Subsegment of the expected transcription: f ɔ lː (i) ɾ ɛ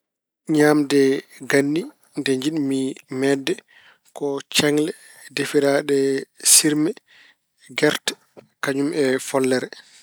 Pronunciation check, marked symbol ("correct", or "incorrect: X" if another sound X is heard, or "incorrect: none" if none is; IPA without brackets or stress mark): incorrect: ɛ